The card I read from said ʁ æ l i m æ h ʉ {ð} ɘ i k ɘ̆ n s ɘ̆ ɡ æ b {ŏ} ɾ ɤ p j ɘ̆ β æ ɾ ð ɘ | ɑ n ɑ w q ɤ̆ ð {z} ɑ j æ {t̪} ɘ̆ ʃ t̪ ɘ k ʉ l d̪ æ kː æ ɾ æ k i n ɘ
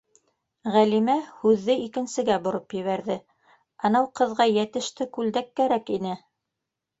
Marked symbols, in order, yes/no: no, yes, no, yes

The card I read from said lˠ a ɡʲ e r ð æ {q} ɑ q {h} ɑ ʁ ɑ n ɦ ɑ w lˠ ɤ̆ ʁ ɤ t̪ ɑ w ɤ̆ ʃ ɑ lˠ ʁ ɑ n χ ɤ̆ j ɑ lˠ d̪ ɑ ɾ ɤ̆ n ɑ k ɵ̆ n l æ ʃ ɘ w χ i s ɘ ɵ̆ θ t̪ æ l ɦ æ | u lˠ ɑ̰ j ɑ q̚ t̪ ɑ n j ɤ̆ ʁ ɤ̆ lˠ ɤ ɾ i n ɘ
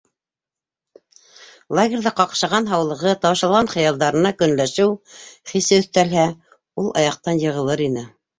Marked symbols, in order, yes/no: yes, no

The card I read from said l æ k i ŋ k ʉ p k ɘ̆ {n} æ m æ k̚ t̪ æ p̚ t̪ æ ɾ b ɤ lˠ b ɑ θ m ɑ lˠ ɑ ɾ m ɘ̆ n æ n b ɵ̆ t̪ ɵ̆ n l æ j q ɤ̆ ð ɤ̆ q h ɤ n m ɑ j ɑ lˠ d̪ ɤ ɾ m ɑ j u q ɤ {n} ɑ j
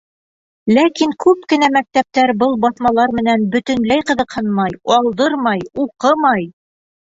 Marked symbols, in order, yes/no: yes, no

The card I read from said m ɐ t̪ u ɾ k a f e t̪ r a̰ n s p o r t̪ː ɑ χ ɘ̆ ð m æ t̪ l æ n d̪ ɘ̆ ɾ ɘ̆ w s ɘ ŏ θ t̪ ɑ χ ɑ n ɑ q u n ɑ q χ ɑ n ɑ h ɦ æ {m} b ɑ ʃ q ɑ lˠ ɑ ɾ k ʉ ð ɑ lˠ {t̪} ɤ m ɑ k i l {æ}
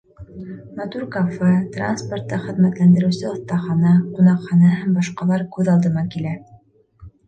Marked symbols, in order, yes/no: yes, no, yes

